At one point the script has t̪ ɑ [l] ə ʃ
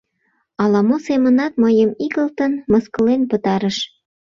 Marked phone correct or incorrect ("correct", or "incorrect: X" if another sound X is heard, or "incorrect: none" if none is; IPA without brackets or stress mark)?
incorrect: ɾ